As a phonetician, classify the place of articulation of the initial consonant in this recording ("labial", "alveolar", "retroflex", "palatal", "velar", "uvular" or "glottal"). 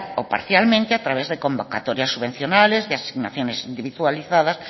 labial